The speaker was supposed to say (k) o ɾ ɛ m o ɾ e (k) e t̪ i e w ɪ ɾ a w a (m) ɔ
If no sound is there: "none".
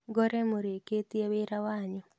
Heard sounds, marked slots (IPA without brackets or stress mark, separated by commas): ɡ, k, ɲ